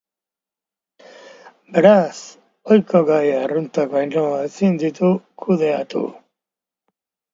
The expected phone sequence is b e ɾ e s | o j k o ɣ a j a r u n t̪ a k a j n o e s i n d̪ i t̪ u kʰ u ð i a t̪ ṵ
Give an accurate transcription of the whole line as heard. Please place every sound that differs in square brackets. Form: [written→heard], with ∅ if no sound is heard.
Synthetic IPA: b e ɾ [e→a] s | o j k o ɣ a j a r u n t̪ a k a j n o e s i n d̪ i t̪ u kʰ u ð [i→e] a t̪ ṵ